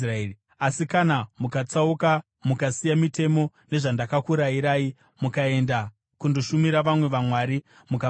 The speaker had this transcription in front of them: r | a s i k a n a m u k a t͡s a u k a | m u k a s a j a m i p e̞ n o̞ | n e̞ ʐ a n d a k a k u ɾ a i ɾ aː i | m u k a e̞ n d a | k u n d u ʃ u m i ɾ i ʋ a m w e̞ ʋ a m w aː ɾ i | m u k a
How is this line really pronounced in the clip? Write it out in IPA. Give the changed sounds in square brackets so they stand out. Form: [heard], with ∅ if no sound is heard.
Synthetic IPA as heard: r | a s i k a n a m u k a t͡s a u k a | m u k a s [i] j a m i [t] e̞ [m] o̞ | n e̞ ʐ a n d a k a k u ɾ a i ɾ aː i | m u k a e̞ n d a | k u n d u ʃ u m i ɾ [a] ʋ a m w e̞ ʋ a m w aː ɾ i | m u k a